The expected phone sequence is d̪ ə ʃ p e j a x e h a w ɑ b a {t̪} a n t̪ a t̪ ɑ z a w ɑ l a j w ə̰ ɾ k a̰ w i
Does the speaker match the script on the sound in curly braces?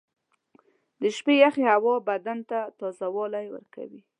no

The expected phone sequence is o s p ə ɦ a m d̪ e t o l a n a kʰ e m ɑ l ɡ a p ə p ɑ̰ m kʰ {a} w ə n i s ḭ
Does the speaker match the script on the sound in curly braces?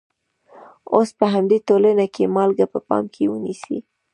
no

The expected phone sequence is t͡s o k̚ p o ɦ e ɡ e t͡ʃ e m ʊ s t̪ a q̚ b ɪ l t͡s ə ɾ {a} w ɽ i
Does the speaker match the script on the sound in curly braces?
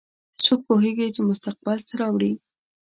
no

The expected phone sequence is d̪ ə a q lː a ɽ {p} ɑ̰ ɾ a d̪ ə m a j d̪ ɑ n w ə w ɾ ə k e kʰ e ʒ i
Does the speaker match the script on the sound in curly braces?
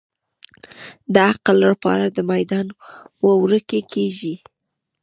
yes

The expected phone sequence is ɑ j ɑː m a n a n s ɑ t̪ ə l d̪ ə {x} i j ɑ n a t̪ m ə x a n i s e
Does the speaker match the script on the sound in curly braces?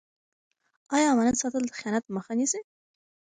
yes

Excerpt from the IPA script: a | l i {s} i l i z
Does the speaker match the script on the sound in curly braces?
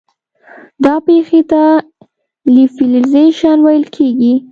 no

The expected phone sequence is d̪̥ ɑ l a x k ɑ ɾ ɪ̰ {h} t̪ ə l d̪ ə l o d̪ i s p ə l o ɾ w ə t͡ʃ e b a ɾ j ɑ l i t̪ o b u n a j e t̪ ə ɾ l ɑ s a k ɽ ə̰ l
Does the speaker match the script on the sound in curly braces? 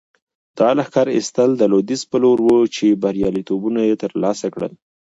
no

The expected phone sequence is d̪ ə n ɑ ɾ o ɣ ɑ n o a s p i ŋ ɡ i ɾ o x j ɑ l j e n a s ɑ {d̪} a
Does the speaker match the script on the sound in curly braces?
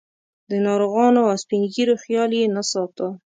no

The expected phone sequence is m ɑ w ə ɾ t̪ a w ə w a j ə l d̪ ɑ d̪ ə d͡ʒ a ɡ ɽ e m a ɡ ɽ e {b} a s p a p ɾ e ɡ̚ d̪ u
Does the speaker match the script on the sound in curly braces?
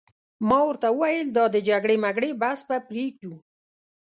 yes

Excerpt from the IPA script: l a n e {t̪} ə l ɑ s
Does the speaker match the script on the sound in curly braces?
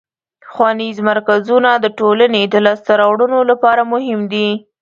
no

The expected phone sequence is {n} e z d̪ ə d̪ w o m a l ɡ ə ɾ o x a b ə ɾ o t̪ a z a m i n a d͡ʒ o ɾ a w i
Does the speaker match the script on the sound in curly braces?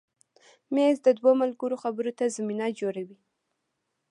no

